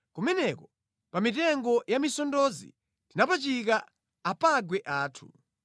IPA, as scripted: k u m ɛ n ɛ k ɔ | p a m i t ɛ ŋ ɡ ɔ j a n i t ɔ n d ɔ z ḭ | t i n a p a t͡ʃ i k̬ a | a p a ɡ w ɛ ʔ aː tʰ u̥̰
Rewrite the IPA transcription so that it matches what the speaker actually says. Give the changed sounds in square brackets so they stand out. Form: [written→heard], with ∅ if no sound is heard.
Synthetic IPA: k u m ɛ n ɛ k ɔ | p a m i t ɛ ŋ ɡ ɔ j a [n→m] i [t→s] ɔ n d ɔ z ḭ | t i n a p a t͡ʃ i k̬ a | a p a ɡ w ɛ ʔ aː tʰ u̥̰